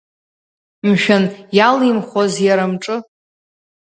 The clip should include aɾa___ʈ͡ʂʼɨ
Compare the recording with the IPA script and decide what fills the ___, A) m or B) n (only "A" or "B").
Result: A